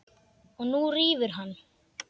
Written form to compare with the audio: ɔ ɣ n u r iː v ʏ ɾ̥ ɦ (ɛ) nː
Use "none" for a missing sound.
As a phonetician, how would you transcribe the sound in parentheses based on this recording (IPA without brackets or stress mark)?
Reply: a